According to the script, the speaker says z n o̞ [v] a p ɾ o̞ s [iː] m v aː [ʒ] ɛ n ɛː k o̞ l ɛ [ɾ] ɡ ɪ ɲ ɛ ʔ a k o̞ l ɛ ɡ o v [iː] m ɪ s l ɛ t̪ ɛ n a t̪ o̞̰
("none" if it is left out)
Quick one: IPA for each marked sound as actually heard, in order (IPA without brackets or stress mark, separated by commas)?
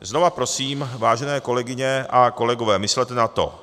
v, iː, ʒ, none, ɛː